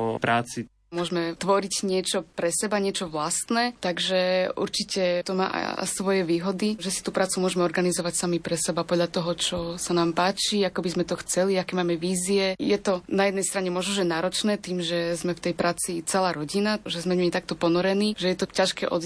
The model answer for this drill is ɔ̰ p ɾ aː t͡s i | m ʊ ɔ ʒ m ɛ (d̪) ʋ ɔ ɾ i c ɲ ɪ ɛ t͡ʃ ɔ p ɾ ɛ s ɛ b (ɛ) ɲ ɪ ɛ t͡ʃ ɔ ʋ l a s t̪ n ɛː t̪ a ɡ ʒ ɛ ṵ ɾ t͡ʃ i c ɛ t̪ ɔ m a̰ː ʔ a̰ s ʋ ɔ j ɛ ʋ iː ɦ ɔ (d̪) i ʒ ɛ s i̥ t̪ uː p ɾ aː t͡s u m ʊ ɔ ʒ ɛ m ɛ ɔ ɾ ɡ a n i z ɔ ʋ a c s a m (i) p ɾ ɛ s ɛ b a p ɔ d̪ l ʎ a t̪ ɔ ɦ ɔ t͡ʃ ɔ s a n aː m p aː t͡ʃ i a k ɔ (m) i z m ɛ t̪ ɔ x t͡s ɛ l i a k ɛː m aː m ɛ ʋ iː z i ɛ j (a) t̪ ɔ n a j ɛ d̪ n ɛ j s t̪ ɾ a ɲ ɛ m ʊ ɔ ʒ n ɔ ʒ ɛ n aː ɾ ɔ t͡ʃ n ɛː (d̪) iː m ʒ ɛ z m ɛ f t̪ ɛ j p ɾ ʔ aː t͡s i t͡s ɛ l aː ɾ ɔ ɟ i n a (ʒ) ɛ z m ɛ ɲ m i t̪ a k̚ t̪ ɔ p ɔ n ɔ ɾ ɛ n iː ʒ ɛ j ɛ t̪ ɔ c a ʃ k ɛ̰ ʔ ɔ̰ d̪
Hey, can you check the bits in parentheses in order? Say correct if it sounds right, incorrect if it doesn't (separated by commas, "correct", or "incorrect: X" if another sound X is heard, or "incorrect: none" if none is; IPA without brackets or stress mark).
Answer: incorrect: t̪, incorrect: a, correct, correct, incorrect: b, incorrect: ɛ, incorrect: t̪, correct